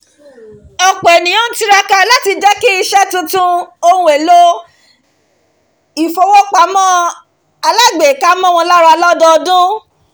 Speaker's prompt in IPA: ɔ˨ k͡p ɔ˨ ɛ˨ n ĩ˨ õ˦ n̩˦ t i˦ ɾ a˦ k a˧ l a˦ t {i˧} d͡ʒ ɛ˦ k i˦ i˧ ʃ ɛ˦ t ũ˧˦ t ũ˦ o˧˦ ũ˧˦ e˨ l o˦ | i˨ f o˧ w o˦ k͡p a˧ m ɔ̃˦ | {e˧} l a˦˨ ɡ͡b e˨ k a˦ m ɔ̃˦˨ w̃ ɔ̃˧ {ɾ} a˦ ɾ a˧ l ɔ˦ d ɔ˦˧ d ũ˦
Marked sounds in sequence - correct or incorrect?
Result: correct, incorrect, incorrect

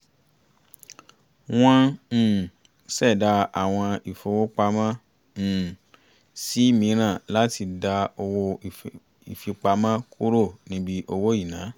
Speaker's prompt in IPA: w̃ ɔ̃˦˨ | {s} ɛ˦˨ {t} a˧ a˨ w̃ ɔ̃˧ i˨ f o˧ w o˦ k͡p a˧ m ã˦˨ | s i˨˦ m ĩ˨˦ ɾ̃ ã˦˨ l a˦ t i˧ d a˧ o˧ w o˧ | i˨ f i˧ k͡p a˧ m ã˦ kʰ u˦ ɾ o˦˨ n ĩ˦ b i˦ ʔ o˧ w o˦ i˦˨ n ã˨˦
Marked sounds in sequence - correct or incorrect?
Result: correct, incorrect

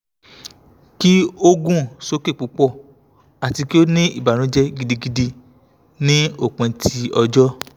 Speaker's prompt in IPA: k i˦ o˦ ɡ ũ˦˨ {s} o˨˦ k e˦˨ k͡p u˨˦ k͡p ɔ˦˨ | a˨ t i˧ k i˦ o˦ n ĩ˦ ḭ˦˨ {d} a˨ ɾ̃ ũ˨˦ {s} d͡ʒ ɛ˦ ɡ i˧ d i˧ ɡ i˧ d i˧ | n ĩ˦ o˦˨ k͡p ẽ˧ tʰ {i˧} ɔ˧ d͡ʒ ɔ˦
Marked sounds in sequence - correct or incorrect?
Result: correct, incorrect, incorrect, correct

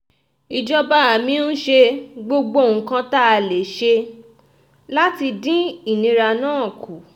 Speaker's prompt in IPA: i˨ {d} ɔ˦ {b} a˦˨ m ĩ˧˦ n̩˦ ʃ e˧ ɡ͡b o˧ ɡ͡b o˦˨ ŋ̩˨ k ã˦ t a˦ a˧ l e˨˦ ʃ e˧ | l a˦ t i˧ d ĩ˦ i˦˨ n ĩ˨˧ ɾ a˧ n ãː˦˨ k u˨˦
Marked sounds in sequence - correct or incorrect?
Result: incorrect, correct

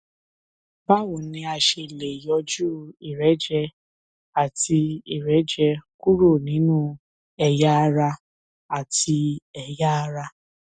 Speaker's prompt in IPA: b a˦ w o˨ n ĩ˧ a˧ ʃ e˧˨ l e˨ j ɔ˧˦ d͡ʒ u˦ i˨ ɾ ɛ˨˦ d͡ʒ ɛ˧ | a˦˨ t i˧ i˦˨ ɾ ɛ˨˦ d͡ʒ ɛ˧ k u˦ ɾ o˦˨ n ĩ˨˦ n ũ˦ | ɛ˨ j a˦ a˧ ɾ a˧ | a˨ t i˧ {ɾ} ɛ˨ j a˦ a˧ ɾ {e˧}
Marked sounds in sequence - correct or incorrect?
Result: incorrect, incorrect

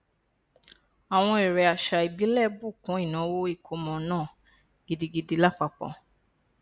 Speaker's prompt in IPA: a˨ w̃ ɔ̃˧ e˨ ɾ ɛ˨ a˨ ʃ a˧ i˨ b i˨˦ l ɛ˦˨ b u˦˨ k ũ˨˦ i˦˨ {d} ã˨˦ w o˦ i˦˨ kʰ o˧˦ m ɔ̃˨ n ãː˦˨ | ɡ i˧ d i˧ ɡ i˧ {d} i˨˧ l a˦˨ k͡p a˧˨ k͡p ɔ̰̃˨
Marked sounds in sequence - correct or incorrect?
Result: incorrect, correct

